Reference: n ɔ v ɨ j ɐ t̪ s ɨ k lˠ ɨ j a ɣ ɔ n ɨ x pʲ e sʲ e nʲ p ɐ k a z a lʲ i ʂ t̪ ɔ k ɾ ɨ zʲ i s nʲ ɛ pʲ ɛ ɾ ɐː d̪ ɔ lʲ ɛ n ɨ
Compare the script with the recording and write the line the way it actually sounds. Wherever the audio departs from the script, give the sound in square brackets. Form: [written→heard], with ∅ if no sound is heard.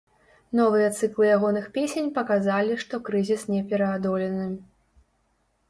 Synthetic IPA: n ɔ v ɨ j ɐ t̪ s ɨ k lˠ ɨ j a ɣ ɔ n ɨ x pʲ e sʲ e nʲ p ɐ k a z a lʲ i ʂ t̪ ɔ k ɾ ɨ zʲ i s nʲ ɛ pʲ ɛ ɾ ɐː d̪ ɔ lʲ ɛ n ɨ